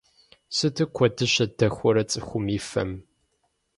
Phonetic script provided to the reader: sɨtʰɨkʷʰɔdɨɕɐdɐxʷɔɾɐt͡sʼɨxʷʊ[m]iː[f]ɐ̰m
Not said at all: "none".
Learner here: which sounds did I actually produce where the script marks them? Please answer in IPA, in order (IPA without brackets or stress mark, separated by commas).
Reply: m, f